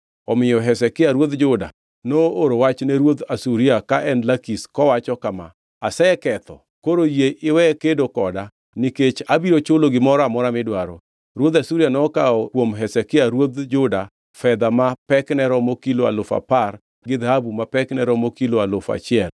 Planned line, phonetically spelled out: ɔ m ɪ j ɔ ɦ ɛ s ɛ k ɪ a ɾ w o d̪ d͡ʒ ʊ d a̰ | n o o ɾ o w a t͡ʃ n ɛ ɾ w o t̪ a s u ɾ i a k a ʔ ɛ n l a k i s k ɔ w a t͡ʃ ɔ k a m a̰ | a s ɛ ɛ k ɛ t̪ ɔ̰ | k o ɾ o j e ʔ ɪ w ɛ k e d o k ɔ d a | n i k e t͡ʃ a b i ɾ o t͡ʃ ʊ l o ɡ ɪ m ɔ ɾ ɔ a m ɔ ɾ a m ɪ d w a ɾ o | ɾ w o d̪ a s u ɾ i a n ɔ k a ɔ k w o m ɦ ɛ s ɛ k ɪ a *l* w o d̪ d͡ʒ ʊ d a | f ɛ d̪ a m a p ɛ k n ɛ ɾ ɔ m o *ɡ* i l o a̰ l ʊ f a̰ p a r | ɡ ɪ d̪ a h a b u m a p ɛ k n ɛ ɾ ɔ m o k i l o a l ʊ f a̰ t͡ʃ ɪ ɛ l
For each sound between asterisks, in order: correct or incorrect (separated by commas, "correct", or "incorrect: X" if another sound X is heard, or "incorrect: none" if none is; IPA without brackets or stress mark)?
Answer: incorrect: ɾ, incorrect: k